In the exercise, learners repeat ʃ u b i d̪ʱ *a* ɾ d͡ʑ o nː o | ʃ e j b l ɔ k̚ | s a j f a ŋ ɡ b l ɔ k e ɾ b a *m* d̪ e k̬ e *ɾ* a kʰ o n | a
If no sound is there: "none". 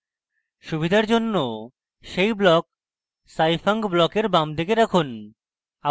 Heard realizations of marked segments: a, m, ɾ

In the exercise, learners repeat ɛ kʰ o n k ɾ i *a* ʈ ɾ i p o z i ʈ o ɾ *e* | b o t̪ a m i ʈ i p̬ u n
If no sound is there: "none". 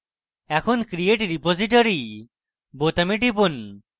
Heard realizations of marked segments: e, i

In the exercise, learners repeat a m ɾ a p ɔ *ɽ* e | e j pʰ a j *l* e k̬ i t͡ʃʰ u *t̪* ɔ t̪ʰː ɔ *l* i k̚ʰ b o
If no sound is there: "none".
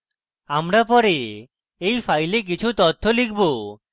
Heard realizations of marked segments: ɾ, l, t̪, l

